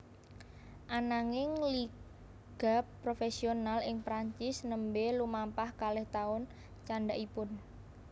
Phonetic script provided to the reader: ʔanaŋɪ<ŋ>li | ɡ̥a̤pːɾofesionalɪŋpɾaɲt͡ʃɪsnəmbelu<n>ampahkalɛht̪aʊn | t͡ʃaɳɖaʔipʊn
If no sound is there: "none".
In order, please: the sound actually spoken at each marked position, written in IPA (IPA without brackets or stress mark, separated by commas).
ŋ, m